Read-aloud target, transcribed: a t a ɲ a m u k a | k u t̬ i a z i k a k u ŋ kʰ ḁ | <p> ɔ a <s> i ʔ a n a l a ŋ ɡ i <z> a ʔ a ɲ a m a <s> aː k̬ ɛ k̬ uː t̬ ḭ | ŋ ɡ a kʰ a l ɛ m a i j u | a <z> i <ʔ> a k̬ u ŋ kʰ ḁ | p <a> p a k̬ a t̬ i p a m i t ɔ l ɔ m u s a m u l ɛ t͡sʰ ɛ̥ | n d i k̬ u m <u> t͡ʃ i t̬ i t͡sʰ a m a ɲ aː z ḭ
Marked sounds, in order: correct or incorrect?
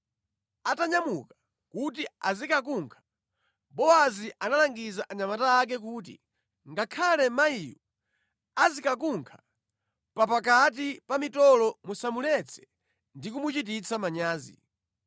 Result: incorrect, incorrect, correct, incorrect, correct, incorrect, correct, correct

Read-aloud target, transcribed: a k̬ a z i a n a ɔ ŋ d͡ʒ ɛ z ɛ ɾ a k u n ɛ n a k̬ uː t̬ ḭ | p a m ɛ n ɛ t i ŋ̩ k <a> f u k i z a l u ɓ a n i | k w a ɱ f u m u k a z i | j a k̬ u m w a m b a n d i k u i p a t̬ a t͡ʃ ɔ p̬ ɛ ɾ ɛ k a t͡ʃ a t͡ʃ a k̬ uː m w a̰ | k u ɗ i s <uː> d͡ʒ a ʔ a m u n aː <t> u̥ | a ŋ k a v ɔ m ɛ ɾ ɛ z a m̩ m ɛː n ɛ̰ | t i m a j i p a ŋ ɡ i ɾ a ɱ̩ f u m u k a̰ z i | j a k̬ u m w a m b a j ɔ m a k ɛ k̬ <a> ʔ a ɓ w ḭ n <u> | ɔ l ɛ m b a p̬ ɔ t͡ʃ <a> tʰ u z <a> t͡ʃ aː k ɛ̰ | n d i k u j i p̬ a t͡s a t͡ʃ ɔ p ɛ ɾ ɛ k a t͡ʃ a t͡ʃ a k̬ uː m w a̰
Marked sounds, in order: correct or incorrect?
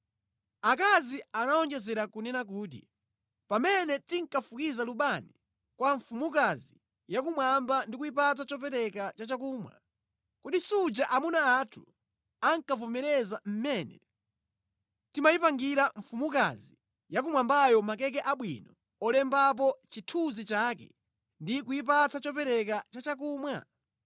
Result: correct, incorrect, incorrect, incorrect, incorrect, incorrect, incorrect

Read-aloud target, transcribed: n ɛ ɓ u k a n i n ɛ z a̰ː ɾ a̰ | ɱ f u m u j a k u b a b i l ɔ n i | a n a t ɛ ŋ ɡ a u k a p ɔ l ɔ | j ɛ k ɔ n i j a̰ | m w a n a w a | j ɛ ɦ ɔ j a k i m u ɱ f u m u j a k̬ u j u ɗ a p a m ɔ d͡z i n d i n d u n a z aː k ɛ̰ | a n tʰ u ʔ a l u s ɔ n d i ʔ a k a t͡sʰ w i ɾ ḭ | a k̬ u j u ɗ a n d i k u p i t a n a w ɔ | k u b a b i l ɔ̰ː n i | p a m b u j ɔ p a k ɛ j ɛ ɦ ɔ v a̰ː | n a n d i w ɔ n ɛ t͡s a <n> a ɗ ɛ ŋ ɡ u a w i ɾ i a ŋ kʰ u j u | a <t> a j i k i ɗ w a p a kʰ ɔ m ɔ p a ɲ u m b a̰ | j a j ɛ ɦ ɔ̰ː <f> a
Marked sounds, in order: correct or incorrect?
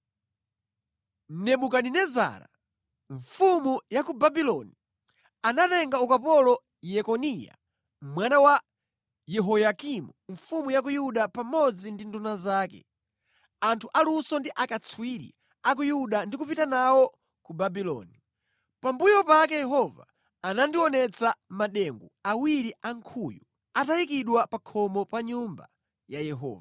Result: incorrect, correct, incorrect

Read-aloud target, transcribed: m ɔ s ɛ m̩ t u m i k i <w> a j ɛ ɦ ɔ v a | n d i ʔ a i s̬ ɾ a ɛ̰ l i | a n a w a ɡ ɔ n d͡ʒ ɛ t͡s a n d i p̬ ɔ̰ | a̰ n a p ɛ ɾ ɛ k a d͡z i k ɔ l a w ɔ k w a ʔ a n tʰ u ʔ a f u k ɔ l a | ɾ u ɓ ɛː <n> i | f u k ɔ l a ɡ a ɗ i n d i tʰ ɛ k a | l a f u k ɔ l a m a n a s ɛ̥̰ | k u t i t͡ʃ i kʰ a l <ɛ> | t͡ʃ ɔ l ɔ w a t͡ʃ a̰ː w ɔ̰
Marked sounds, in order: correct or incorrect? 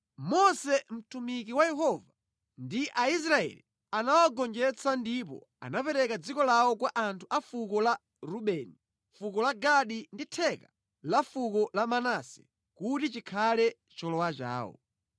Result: correct, correct, correct

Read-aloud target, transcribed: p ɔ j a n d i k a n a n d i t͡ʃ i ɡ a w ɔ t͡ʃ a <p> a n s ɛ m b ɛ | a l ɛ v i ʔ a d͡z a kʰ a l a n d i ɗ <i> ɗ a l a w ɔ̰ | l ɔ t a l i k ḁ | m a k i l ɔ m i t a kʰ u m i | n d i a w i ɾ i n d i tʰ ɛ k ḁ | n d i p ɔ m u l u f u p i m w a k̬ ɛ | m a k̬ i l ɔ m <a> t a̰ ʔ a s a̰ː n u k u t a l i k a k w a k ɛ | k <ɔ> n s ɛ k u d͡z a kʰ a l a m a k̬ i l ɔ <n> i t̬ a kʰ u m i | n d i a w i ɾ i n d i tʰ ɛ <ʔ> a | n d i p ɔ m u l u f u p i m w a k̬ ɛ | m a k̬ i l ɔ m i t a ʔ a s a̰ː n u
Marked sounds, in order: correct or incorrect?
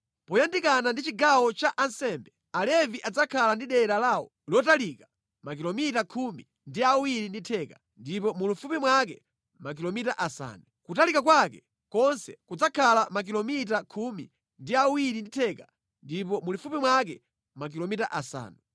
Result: incorrect, incorrect, incorrect, correct, incorrect, incorrect

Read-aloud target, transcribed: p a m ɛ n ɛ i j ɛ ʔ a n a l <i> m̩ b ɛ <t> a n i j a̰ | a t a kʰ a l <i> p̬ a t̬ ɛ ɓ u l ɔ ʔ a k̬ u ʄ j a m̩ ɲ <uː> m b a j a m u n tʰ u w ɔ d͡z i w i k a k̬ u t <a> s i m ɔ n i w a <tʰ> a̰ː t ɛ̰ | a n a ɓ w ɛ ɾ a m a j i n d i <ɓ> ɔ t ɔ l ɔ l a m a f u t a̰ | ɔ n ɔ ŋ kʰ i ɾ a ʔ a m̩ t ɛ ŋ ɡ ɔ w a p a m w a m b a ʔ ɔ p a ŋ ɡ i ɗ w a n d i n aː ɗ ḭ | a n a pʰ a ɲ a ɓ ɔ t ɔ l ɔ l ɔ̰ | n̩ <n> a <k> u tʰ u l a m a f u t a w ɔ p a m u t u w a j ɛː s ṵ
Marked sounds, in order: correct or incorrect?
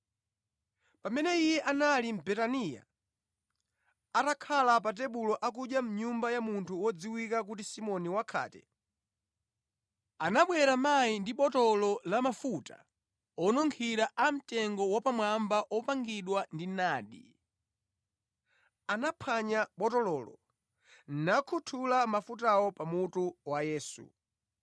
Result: correct, correct, incorrect, incorrect, incorrect, incorrect, correct, correct, incorrect

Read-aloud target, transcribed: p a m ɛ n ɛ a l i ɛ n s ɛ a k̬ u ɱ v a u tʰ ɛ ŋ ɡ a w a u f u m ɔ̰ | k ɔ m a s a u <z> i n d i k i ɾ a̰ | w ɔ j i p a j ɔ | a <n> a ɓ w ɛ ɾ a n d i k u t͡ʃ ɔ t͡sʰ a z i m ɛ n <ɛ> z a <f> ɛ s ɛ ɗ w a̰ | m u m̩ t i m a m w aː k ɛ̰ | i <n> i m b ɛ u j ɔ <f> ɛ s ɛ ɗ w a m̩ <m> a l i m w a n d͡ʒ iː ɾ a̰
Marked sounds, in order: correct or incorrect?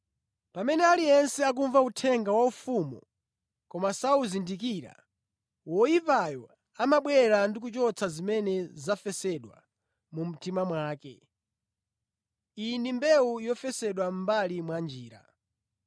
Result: correct, incorrect, correct, correct, correct, correct, incorrect

